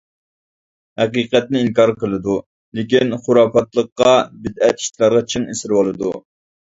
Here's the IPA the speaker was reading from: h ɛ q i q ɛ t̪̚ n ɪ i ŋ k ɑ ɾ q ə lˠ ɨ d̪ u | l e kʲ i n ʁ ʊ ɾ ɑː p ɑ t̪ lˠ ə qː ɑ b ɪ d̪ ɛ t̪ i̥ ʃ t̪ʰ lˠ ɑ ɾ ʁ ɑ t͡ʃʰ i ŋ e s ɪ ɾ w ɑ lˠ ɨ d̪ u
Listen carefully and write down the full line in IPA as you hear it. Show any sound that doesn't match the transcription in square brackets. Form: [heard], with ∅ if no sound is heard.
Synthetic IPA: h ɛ q i q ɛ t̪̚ n ɪ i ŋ k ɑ ɾ q ə lˠ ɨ d̪ u | l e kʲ i n [χ] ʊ ɾ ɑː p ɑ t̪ lˠ ə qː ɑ b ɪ d̪ ɛ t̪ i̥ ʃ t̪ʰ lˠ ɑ ɾ ʁ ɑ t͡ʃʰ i ŋ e s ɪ ɾ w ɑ lˠ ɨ d̪ u

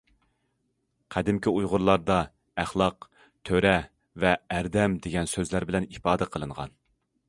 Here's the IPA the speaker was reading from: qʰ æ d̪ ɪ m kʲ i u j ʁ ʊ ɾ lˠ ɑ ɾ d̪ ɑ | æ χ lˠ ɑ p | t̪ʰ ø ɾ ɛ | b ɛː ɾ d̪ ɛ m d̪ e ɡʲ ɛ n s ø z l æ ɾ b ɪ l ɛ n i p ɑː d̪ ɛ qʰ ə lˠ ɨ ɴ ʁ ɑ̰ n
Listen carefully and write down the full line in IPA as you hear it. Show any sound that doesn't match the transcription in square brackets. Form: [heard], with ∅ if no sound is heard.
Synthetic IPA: qʰ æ d̪ ɪ m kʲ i u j ʁ ʊ ɾ lˠ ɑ ɾ d̪ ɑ | æ χ lˠ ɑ [q] | t̪ʰ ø ɾ ɛ | [v] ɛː ɾ d̪ ɛ m d̪ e ɡʲ ɛ n s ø z l æ ɾ b ɪ l ɛ n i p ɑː d̪ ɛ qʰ ə lˠ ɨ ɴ ʁ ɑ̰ n

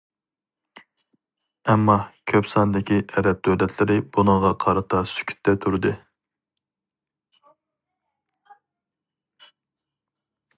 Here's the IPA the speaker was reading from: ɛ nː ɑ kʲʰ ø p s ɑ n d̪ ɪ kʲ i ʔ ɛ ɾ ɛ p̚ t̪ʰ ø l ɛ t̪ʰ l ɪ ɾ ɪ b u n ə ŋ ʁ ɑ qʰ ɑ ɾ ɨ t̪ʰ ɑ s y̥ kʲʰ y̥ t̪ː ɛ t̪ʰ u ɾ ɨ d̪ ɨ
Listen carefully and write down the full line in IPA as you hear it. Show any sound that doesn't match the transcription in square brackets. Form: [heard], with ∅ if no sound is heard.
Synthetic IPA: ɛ [mː] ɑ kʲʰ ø p s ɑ n d̪ ɪ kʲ i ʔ ɛ ɾ ɛ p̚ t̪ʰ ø l ɛ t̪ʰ l ɪ ɾ ɪ b u n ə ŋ ʁ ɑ qʰ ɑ ɾ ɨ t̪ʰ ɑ s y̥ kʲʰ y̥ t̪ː ɛ t̪ʰ u ɾ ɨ d̪ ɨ

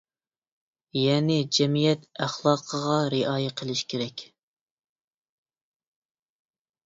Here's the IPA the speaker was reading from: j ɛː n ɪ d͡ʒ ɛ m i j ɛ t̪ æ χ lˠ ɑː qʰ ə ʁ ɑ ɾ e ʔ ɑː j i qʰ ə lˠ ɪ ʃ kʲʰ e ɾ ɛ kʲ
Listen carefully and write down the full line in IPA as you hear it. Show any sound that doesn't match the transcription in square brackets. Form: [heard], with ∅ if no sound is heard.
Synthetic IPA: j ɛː n ɪ d͡ʒ ɛ m i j ɛ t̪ æ χ lˠ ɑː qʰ ə ʁ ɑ ɾ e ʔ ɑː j [ɛ] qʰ ə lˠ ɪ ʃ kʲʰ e ɾ ɛ kʲ

